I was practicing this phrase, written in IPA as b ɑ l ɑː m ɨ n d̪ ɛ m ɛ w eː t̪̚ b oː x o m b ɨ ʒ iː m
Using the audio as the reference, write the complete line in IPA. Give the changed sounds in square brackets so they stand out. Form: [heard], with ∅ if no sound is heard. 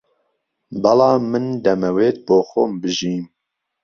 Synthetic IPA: b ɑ l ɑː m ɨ n d̪ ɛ m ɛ w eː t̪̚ b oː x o m b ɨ ʒ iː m